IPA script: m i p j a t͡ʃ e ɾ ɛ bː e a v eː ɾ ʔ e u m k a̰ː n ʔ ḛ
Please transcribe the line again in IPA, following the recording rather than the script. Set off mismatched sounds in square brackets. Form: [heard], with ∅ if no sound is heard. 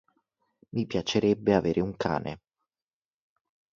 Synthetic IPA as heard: m i p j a t͡ʃ e ɾ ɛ bː e a v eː ɾ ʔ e u [ŋ] k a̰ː n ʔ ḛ